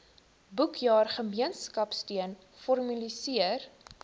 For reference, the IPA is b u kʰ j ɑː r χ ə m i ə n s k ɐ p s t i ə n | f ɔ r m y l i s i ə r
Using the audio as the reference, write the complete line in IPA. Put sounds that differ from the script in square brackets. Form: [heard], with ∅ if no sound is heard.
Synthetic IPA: b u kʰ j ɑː r χ ə m i ə n s k ɐ p s t i ə n | f ɔ r m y l i s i ə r